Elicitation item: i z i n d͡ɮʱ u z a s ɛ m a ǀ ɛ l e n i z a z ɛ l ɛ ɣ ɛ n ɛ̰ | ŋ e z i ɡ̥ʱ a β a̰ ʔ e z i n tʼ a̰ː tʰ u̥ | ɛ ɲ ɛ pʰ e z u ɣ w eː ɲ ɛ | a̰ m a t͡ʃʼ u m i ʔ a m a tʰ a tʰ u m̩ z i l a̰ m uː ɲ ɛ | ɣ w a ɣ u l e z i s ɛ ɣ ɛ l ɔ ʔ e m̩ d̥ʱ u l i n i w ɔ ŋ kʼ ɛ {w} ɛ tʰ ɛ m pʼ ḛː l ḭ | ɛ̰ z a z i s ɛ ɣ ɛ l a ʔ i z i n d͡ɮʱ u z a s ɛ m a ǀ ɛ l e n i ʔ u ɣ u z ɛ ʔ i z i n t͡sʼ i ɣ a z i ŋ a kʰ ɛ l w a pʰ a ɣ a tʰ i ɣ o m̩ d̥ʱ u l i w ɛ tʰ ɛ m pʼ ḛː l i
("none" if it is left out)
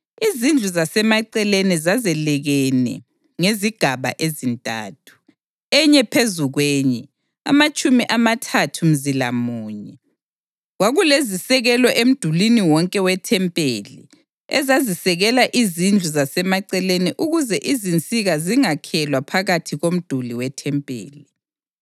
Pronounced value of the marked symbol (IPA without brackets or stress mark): w